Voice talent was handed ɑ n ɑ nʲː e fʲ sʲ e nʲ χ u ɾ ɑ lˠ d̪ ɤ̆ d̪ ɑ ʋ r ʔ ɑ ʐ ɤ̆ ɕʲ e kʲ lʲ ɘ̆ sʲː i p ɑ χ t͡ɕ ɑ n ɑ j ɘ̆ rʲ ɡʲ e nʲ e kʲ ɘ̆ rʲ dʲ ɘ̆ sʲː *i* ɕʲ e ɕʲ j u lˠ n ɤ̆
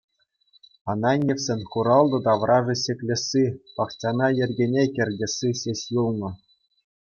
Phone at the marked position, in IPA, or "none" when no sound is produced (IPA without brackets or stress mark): i